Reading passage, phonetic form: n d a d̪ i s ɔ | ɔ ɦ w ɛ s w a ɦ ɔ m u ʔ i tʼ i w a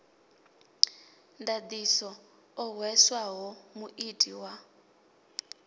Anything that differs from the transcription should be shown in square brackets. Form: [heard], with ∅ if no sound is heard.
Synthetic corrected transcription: n d a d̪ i s ɔ | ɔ ɦ w ɛ s w a ɦ ɔ m u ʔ i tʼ i w a